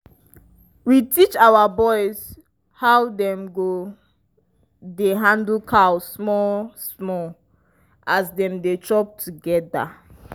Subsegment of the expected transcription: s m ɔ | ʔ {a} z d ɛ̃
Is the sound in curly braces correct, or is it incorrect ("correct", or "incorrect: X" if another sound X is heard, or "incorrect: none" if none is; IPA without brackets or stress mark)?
correct